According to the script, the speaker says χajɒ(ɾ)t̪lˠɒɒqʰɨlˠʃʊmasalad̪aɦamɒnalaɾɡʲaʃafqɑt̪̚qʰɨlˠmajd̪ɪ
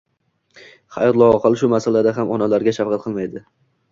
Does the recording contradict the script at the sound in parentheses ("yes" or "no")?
yes